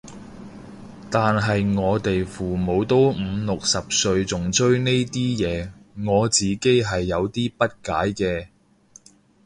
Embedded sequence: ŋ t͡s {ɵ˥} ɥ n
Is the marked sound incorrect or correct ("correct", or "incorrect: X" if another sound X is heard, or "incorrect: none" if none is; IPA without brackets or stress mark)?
correct